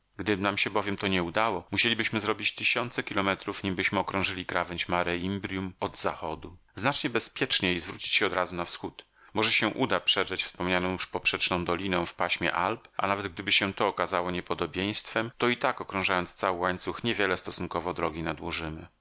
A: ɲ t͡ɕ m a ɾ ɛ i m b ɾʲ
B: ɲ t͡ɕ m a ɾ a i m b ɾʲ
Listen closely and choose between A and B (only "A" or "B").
A